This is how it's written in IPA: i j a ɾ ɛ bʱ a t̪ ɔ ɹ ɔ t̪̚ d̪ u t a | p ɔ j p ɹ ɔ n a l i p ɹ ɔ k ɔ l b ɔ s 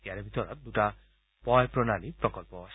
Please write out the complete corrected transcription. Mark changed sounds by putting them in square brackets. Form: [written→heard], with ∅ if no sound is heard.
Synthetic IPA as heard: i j a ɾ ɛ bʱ [a→i] t̪ ɔ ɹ ɔ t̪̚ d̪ u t a | p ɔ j p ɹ ɔ n a l i p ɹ ɔ k ɔ l [b→p] ɔ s